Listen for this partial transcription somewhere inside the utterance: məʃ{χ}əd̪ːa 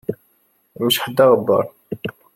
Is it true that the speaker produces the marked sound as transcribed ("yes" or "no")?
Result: no